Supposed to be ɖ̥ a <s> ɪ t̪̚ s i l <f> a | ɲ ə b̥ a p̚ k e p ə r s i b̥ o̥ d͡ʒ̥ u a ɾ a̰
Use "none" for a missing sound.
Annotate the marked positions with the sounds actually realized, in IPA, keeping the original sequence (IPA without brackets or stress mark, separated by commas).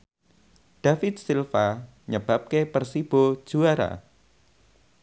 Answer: f, f